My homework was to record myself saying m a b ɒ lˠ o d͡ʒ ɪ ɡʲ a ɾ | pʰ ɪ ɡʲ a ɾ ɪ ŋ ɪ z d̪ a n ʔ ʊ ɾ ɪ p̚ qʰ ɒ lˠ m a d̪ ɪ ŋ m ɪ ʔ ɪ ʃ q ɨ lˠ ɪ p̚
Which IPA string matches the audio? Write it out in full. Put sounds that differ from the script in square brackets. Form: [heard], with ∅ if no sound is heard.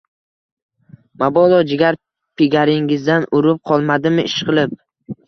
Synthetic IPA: m a b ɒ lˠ [ɒ] d͡ʒ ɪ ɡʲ a ɾ | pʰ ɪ ɡʲ a ɾ ɪ ŋ ɪ z d̪ a n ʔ ʊ ɾ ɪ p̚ qʰ ɒ lˠ m a d̪ ɪ [∅] m ɪ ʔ ɪ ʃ q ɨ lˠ ɪ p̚